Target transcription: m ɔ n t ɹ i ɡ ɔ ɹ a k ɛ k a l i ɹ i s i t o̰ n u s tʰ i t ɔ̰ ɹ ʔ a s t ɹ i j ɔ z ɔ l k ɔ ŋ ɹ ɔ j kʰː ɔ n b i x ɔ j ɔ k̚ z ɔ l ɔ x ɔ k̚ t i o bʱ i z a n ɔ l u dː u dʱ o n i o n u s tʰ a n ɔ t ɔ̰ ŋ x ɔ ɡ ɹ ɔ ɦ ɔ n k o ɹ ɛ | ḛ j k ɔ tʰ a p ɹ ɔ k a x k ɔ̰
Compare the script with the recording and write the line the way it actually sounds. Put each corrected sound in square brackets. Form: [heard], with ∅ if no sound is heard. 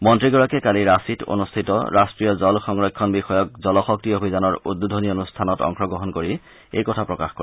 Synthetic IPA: m ɔ n t ɹ i ɡ ɔ ɹ a k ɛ k a l i ɹ [a] s i t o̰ n u s tʰ i t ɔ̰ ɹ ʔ a s t ɹ i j ɔ z ɔ l [x] ɔ ŋ ɹ ɔ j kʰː ɔ n b i x ɔ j ɔ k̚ z ɔ l ɔ x ɔ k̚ t i o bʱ i z a n ɔ [ɹ] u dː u dʱ o n i o n u s tʰ a n ɔ t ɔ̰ ŋ x ɔ ɡ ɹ ɔ ɦ ɔ n k o ɹ [i] | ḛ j k ɔ tʰ a p ɹ ɔ k a x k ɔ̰